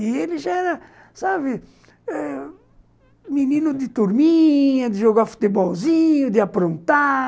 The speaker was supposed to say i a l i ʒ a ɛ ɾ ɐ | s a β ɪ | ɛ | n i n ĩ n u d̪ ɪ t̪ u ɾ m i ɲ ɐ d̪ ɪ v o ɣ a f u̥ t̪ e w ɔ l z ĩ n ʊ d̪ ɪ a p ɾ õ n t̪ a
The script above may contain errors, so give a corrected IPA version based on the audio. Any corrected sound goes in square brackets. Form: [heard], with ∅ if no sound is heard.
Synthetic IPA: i [e] l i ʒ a ɛ ɾ ɐ | s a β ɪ | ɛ | [m] i n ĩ n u d̪ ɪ t̪ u ɾ m i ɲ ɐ d̪ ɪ [ʒ] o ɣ a f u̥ t̪ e [b] ɔ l z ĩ [ɲ] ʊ d̪ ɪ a p ɾ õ n t̪ a